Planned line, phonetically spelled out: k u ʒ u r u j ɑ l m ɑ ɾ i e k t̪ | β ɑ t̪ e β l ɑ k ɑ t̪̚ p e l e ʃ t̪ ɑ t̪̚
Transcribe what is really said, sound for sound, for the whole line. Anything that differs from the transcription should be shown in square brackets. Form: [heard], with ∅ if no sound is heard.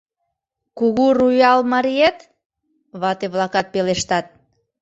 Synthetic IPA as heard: k u [ɣ] u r u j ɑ l m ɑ ɾ i e [∅] t̪ | β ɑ t̪ e β l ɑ k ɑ t̪̚ p e l e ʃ t̪ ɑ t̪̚

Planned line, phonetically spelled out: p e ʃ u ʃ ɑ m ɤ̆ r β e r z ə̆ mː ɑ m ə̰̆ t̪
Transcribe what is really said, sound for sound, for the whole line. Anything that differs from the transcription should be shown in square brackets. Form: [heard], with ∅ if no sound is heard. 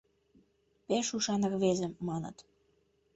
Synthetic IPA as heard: p e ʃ u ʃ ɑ [n] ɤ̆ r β e [∅] z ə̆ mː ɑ [n] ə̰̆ t̪

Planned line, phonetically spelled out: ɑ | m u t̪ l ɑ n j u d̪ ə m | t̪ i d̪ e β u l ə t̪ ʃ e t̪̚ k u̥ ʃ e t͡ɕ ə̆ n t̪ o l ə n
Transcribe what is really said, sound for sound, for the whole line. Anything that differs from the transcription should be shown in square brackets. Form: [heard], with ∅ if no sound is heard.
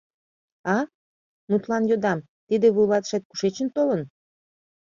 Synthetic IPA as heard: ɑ | m u t̪ l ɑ n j [o] d̪ [ɑ] m | t̪ i d̪ e β u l [ɑ] t̪ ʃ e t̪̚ k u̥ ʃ e t͡ɕ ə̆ n t̪ o l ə n

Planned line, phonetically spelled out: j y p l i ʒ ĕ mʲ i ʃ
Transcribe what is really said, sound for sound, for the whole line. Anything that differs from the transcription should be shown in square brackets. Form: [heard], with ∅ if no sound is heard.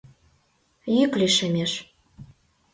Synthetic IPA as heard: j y [k] l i [ʃ] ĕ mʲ [e] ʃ

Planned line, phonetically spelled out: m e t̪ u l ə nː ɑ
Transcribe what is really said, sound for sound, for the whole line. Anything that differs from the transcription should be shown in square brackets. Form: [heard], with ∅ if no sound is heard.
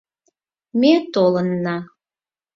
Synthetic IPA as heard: m e t̪ [o] l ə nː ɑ

